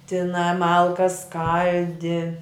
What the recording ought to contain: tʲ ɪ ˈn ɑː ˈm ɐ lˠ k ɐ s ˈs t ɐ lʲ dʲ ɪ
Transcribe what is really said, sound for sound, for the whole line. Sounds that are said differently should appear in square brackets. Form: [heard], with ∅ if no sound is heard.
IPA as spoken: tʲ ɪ ˈn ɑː ˈm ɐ lˠ k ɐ s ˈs [k] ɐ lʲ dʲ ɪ

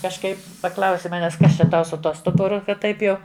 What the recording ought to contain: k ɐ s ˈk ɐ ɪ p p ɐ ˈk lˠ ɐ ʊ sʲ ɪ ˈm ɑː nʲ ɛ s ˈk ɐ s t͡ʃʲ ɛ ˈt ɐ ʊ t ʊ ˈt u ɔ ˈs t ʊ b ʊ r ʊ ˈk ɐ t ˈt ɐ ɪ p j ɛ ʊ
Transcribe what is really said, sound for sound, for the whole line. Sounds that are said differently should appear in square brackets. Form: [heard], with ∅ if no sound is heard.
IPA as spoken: k ɐ [ʃ] ˈk ɐ ɪ p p ɐ ˈk lˠ ɐ ʊ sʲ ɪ ˈm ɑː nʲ ɛ s ˈk ɐ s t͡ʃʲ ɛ ˈt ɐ ʊ [s] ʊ ˈt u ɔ ˈs t ʊ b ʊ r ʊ ˈk ɐ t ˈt ɐ ɪ p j ɛ ʊ

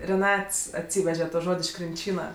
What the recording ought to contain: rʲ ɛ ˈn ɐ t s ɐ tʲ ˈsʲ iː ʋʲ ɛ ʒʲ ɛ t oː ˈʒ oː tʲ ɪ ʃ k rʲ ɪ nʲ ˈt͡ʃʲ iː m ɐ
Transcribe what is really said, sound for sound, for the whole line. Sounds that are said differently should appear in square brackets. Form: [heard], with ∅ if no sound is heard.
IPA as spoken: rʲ ɛ ˈn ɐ t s ɐ tʲ ˈsʲ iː ʋʲ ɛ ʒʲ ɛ t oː ˈʒ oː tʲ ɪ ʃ k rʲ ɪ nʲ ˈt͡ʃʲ iː [n] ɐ

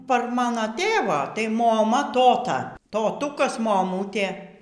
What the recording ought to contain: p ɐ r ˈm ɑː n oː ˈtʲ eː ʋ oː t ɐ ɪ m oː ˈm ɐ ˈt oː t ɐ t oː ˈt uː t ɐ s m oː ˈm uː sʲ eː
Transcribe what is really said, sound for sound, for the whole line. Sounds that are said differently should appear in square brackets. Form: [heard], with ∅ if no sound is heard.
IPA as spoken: p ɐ r ˈm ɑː n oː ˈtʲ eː ʋ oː t ɐ ɪ m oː ˈm ɐ ˈt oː t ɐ t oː ˈt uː [k] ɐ s m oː ˈm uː [tʲ] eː

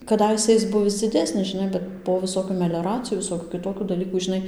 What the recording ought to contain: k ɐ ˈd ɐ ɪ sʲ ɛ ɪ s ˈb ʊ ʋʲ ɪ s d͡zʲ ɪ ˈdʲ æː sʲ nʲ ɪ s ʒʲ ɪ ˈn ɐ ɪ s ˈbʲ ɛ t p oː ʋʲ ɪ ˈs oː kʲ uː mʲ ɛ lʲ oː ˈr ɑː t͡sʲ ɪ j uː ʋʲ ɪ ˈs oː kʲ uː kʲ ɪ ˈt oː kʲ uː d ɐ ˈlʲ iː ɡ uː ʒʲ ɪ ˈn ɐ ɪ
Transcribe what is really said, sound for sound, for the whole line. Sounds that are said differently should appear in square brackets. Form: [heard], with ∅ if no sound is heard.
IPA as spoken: k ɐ ˈd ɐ ɪ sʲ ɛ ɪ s ˈb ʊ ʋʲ ɪ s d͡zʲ ɪ ˈdʲ æː sʲ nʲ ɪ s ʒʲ ɪ ˈn ɐ ɪ [∅] ˈbʲ ɛ t p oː ʋʲ ɪ ˈs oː kʲ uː mʲ ɛ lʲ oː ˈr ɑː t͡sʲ ɪ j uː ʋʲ ɪ ˈs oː kʲ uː kʲ ɪ ˈt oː kʲ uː d ɐ ˈlʲ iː [k] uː ʒʲ ɪ ˈn ɐ ɪ

